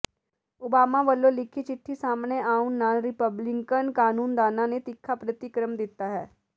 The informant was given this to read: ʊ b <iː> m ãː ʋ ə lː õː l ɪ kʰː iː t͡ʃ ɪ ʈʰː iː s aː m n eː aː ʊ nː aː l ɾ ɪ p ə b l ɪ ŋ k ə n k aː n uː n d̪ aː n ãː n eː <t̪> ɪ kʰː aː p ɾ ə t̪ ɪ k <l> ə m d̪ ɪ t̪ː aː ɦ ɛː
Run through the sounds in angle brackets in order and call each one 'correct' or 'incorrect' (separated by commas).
incorrect, correct, incorrect